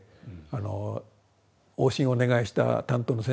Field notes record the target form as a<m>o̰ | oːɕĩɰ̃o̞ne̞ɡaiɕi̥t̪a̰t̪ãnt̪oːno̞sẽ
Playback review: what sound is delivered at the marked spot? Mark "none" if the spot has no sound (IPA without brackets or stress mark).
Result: n